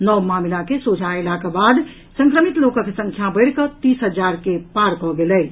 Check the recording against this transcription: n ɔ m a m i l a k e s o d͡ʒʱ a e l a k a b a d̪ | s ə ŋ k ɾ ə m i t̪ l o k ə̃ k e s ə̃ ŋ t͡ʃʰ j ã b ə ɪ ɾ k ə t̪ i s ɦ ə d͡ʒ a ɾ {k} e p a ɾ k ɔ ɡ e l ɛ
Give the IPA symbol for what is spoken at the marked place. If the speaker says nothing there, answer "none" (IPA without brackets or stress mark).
k